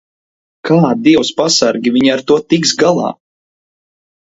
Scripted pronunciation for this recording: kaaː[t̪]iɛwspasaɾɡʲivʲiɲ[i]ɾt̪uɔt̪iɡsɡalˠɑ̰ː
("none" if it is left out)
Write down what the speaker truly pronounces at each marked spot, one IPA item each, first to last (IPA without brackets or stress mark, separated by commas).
d̪, a